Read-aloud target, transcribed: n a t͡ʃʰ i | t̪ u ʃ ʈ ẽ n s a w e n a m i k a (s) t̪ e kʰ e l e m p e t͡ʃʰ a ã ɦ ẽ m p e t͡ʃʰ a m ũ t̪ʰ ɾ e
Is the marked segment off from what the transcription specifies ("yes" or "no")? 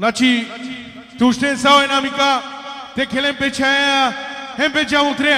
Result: yes